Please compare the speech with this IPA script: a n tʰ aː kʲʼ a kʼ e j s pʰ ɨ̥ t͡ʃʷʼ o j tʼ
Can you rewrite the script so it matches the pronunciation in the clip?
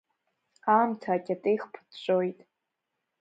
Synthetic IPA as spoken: a m tʰ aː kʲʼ a tʼ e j χ pʰ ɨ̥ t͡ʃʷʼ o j tʼ